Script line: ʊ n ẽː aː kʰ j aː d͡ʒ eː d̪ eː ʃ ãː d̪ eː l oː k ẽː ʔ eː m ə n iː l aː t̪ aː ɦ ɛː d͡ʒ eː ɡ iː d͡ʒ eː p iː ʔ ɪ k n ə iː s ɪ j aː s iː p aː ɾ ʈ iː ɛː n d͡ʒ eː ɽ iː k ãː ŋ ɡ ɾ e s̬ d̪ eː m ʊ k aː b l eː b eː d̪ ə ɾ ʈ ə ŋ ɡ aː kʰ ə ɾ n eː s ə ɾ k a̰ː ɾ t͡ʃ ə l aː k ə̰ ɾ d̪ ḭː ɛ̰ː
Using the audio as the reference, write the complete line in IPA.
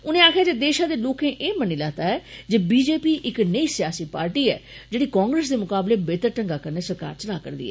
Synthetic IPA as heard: ʊ n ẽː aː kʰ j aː d͡ʒ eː d̪ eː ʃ ãː d̪ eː l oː k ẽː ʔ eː m ə n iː l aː t̪ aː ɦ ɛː d͡ʒ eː b iː d͡ʒ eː p iː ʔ ɪ k n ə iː s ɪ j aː s iː p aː ɾ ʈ iː ɛː d͡ʒ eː ɽ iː k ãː ŋ ɡ ɾ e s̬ d̪ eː m ʊ k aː b l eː b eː t̪ ə ɾ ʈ ə ŋ ɡ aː k ə ɾ n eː s ə ɾ k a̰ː ɾ t͡ʃ ə l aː k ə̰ ɾ d̪ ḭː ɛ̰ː